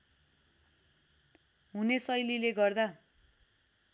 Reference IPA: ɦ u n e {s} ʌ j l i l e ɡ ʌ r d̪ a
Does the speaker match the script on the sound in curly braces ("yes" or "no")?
yes